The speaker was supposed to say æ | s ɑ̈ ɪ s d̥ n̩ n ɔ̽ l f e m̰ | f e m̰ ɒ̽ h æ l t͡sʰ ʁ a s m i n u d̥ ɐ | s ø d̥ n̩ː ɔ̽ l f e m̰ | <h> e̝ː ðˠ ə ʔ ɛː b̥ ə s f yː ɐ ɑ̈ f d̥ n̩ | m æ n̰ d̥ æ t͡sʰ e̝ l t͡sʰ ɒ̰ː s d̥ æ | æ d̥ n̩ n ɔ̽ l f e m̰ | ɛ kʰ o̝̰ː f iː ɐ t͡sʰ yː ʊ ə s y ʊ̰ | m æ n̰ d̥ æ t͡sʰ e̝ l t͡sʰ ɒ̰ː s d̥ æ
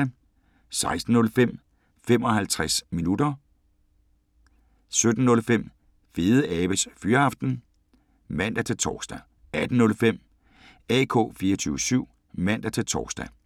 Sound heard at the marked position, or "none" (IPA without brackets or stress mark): f